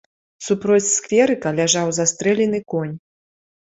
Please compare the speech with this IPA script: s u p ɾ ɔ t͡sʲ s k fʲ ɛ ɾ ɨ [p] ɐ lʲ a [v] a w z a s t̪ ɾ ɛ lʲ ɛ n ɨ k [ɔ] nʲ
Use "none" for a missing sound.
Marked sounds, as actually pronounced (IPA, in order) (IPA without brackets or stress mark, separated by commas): k, ʐ, ɔ